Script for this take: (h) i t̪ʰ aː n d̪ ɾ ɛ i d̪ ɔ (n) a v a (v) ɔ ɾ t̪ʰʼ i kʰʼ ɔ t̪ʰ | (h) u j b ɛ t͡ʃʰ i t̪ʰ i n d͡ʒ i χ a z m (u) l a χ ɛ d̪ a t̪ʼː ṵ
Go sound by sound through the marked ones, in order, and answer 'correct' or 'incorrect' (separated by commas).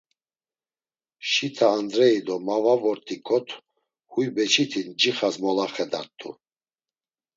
incorrect, incorrect, correct, correct, incorrect